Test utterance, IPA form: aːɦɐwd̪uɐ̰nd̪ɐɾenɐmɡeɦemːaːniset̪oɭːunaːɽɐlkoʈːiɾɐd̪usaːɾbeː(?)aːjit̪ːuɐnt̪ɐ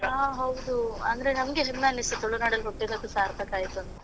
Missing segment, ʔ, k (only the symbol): k